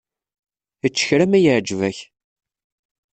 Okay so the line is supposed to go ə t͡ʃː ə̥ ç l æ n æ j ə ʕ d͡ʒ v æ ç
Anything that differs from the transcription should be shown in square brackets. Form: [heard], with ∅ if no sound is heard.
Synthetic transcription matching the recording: ə t͡ʃː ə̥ ç [ɾ] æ [m] æ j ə ʕ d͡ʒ v æ ç